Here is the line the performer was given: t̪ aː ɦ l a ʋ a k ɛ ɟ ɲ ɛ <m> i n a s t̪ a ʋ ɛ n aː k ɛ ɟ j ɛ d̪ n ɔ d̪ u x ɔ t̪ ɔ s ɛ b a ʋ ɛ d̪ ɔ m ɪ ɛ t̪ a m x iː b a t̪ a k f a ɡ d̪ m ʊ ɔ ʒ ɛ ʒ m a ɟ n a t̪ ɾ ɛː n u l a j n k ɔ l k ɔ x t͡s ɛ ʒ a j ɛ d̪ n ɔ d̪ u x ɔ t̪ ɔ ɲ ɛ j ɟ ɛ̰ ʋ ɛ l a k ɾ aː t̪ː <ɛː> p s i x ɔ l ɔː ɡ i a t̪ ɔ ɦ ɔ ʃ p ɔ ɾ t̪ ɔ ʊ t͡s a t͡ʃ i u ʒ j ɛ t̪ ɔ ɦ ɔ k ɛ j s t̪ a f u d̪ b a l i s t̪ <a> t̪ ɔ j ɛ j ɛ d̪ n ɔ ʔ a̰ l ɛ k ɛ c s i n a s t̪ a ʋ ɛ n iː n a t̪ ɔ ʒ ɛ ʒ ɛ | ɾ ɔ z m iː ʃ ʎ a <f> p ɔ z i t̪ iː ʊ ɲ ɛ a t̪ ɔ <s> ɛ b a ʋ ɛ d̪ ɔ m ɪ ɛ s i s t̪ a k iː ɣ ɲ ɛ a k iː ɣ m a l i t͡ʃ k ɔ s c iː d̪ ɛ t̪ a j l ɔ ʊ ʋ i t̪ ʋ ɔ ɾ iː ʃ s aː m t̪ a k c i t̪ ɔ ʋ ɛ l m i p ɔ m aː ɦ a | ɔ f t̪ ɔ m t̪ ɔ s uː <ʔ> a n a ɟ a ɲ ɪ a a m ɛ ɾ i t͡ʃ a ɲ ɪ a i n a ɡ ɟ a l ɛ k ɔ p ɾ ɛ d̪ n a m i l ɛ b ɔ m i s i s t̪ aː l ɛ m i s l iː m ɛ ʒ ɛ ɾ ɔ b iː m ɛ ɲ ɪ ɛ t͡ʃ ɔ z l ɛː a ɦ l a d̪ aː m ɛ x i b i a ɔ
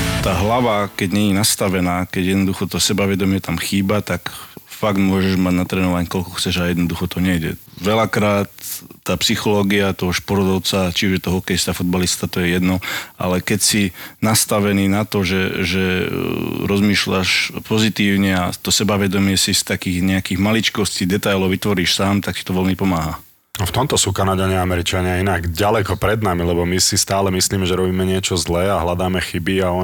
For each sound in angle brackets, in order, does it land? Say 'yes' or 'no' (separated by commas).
no, no, yes, no, yes, no